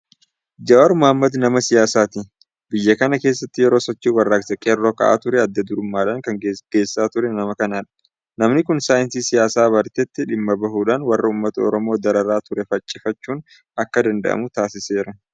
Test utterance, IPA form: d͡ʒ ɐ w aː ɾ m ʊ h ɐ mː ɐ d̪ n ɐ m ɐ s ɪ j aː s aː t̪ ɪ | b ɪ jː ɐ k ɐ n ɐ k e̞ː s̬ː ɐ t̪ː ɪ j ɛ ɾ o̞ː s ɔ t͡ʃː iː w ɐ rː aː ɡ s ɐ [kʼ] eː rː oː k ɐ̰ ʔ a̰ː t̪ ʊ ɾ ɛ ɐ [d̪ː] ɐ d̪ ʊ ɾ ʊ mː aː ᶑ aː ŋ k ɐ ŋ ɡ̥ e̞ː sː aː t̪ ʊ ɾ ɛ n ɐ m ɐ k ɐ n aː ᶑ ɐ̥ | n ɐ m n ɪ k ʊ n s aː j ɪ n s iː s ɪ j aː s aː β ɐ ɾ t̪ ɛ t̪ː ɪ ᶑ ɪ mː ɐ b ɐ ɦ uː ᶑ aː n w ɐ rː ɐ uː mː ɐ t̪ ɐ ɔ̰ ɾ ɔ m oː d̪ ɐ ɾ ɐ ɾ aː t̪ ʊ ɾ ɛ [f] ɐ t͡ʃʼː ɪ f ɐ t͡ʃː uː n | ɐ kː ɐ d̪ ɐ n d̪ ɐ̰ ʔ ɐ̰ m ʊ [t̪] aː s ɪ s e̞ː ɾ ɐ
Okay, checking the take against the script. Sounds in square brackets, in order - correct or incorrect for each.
correct, correct, correct, correct

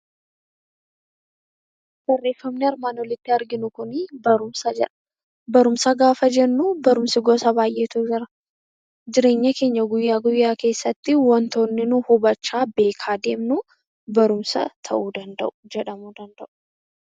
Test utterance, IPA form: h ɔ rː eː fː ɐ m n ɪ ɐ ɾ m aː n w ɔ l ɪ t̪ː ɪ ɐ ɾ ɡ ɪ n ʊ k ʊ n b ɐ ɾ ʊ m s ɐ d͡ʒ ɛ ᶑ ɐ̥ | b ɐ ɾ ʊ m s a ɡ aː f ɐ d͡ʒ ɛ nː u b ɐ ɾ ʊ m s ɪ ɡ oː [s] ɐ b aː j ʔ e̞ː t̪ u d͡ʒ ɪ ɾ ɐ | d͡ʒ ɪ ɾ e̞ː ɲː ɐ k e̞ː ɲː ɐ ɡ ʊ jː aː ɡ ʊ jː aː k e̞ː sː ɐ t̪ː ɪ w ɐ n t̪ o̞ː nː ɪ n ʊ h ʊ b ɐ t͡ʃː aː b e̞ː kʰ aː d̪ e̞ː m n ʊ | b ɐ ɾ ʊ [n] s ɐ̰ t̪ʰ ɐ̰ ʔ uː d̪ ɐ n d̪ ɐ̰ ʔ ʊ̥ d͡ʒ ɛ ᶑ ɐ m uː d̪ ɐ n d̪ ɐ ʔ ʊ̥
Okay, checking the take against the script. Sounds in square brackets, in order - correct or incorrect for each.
correct, incorrect: m

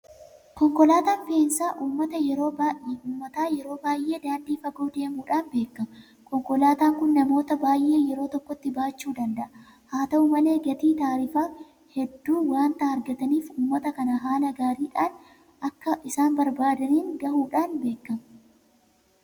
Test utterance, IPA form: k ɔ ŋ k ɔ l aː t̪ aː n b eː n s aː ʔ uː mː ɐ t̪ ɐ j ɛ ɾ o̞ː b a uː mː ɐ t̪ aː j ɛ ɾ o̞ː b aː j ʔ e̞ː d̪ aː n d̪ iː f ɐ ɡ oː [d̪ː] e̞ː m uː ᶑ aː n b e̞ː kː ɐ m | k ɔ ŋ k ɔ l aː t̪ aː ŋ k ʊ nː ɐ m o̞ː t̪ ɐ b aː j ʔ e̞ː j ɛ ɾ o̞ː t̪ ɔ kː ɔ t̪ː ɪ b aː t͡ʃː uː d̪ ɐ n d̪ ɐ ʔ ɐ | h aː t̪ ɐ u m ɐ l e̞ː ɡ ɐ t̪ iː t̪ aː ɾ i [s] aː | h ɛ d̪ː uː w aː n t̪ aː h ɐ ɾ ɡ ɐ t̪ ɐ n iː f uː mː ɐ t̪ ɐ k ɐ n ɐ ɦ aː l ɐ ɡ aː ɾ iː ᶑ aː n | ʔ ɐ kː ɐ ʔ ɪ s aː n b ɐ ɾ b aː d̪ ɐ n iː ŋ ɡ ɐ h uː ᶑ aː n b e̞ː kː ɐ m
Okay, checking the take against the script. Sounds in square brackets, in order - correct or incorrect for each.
incorrect: d̪, incorrect: f

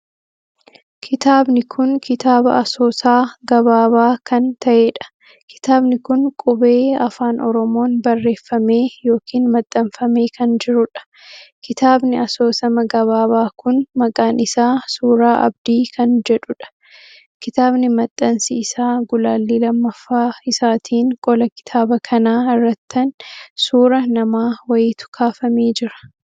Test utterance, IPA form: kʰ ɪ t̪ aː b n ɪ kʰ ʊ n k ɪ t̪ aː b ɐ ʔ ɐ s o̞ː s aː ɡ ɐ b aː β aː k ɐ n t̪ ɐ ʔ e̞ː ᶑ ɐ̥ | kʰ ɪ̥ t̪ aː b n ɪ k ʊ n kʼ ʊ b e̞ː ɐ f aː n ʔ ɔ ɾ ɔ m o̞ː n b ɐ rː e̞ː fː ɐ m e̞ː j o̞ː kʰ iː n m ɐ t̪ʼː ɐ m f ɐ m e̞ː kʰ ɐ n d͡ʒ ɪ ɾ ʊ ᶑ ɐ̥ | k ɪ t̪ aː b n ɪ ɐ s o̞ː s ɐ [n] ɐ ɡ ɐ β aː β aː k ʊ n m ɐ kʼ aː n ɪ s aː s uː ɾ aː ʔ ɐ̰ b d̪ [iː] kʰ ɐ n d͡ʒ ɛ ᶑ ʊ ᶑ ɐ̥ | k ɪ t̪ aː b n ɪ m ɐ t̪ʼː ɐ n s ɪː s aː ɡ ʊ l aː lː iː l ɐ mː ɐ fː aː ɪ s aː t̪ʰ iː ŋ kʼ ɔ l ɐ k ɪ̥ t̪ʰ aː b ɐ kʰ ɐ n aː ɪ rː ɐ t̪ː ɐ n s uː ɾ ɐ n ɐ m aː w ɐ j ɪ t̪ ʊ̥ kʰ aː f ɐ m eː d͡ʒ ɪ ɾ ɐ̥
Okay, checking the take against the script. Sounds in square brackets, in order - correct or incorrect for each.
incorrect: m, correct

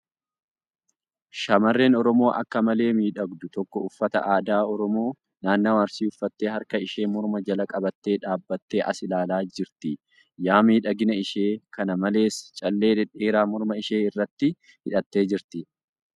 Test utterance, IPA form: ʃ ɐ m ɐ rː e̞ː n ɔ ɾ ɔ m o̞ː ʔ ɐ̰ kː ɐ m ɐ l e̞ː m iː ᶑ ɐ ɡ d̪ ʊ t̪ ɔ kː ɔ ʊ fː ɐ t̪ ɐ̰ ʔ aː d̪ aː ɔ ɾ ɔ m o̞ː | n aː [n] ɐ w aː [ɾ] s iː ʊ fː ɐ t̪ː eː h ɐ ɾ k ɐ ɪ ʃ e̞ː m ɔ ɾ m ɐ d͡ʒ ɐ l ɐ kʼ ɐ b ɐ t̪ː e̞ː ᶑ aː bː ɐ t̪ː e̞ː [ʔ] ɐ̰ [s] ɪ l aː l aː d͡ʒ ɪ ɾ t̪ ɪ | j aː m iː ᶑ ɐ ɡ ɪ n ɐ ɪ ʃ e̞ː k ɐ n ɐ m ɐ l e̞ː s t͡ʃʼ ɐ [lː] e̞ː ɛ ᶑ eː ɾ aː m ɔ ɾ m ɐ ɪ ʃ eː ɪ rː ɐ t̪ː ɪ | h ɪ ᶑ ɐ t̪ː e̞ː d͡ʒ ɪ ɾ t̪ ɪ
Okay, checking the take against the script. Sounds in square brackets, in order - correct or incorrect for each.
incorrect: nː, correct, correct, correct, correct

